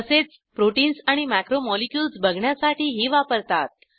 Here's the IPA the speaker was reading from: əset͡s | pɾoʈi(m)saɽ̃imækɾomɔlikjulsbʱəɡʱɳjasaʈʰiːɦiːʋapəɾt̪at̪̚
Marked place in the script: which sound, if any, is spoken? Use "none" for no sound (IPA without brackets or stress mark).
n